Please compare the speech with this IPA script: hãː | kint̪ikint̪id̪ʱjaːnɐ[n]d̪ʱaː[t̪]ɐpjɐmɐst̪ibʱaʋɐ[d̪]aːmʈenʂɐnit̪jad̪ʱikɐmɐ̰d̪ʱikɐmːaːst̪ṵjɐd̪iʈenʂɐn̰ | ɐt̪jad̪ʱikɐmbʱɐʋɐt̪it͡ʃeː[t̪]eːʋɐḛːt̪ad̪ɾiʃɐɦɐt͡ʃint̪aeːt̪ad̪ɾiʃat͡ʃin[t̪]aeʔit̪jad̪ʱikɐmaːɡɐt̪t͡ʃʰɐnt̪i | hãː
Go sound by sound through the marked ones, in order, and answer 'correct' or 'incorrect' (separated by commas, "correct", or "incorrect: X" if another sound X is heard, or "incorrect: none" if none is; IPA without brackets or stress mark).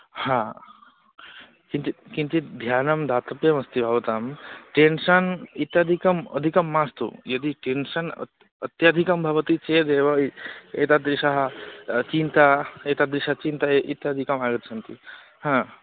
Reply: incorrect: m, correct, incorrect: t̪, incorrect: d̪, correct